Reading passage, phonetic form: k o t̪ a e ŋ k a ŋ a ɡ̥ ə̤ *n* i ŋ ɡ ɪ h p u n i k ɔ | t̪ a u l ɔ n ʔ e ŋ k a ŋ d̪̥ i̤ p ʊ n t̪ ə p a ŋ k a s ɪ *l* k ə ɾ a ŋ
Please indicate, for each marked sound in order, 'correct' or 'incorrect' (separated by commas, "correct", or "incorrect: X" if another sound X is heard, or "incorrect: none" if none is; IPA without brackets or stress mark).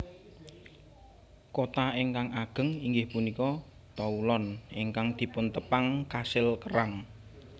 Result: incorrect: ŋ, correct